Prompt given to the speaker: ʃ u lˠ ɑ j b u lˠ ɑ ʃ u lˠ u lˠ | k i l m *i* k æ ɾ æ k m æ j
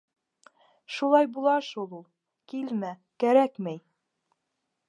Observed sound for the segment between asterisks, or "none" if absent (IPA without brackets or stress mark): æ